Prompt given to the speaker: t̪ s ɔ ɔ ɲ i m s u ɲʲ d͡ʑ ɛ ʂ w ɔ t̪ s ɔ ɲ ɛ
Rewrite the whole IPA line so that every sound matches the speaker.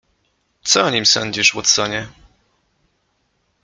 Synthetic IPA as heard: t̪ s ɔ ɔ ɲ i m s ɔ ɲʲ d͡ʑ i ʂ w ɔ t̪ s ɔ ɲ ɛ

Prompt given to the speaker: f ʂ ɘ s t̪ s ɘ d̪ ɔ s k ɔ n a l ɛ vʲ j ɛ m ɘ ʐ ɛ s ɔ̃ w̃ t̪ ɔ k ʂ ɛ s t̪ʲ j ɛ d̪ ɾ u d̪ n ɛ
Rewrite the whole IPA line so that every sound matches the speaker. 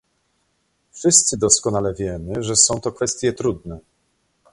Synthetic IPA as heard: f ʂ ɘ s t̪ s ɘ d̪ ɔ s k ɔ n a l ɛ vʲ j ɛ m ɘ ʐ ɛ s ɔ̃ w̃ t̪ ɔ k f ɛ s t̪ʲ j ɛ t̪ ɾ u d̪ n ɛ

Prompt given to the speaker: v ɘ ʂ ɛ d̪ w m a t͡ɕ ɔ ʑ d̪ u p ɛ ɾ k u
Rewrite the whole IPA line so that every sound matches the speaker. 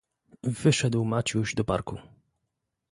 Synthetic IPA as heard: v ɘ ʂ ɛ d̪ w m a t͡ɕ u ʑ d̪ ɔ p a ɾ k u

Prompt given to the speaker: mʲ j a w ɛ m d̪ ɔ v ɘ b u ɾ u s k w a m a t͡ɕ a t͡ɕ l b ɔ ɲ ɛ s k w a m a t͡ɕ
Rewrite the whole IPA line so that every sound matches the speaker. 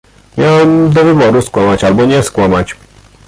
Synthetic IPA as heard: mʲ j a w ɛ m d̪ ɔ v ɘ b ɔ ɾ u s k w a m a t͡ɕ a l b ɔ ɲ ɛ s k w a m a t͡ɕ

